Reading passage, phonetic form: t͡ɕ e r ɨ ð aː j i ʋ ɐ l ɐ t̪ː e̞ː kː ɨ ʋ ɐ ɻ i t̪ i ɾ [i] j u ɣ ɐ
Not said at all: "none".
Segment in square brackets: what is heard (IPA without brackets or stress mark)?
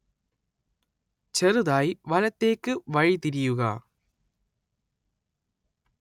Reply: i